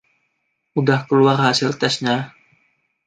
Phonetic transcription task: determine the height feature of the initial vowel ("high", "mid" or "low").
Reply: high